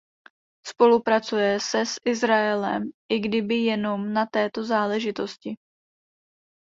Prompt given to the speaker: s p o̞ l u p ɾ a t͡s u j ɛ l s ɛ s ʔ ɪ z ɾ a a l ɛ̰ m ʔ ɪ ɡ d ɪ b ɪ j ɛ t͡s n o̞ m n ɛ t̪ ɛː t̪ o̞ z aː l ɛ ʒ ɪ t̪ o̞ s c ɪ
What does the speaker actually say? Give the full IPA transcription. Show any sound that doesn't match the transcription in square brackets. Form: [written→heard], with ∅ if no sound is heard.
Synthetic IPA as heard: s p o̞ l u p ɾ a t͡s u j ɛ [l→∅] s ɛ s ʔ ɪ z ɾ a [a→ɛ] l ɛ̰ m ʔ ɪ ɡ d ɪ b ɪ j ɛ [t͡s→∅] n o̞ m n [ɛ→a] t̪ ɛː t̪ o̞ z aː l ɛ ʒ ɪ t̪ o̞ s c ɪ